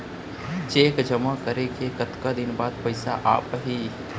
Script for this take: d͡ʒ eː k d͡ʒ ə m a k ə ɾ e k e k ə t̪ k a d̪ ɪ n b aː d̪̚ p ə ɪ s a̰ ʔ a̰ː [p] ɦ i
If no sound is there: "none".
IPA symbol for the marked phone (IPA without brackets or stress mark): p